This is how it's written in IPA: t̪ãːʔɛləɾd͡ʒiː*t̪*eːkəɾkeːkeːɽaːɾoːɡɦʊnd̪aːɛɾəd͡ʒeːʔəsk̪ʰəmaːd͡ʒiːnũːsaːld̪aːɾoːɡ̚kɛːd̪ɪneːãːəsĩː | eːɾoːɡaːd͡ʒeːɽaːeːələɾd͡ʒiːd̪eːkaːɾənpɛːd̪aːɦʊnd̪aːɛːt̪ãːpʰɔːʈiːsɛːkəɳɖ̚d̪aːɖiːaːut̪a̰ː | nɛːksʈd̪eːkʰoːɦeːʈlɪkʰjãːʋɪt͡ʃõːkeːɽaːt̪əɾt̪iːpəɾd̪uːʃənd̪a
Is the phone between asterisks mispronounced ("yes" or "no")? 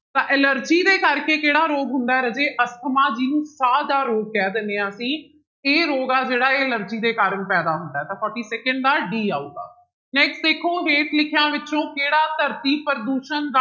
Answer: yes